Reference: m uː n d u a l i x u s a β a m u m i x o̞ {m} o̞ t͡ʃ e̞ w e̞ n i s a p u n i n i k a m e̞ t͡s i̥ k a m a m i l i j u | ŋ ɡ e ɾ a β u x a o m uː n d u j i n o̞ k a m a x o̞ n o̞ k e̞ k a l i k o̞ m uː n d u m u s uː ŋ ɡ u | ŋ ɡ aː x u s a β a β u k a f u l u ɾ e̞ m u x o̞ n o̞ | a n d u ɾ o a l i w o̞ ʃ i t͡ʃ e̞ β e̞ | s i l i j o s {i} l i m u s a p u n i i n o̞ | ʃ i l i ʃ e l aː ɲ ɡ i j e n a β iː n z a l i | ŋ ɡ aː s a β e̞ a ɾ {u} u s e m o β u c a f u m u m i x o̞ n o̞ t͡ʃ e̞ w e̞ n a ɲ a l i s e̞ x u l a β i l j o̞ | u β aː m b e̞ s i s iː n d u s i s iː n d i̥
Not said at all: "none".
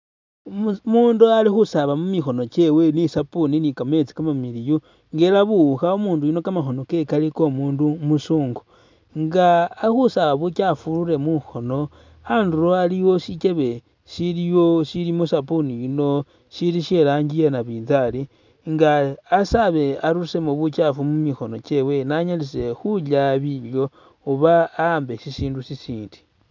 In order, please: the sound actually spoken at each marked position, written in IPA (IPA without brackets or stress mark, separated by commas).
n, i, u